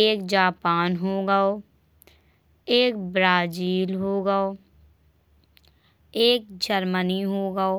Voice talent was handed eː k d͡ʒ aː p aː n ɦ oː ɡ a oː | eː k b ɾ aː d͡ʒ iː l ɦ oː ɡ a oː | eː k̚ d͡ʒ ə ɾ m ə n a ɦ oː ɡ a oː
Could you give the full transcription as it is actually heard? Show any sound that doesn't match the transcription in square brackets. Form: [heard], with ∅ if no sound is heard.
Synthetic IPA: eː k d͡ʒ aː p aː n ɦ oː ɡ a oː | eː k b ɾ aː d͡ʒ iː l ɦ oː ɡ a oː | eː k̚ d͡ʒ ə ɾ m ə n [i] ɦ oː ɡ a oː